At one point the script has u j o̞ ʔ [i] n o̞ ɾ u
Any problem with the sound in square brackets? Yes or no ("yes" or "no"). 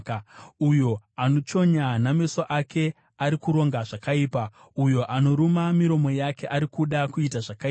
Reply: yes